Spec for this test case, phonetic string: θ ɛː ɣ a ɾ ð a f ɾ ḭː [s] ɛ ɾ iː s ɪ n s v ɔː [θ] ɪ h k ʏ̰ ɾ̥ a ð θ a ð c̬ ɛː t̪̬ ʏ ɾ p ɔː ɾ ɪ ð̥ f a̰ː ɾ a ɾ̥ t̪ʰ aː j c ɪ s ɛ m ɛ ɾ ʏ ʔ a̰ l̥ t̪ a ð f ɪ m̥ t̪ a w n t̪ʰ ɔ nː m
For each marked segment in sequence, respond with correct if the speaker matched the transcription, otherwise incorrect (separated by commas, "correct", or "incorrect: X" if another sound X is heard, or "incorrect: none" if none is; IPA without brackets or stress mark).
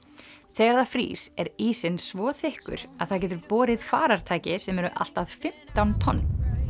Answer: correct, correct